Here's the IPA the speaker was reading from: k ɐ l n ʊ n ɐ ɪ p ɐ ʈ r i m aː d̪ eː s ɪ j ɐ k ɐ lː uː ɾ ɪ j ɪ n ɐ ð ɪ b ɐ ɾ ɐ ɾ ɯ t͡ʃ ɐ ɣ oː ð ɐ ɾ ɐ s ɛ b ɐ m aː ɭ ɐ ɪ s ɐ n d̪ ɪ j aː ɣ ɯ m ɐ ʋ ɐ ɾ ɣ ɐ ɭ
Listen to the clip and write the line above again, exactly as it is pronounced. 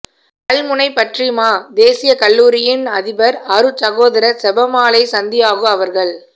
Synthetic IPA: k ɐ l m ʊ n ɐ ɪ p ɐ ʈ r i m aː d̪ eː s ɪ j ɐ k ɐ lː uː ɾ ɪ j ɪ n ɐ ð ɪ b ɐ ɾ ɐ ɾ ɯ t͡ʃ ɐ ɣ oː ð ɐ ɾ ɐ s ɛ b ɐ m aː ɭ ɐ ɪ s ɐ n d̪ ɪ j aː ɣ ɯ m ɐ ʋ ɐ ɾ ɣ ɐ ɭ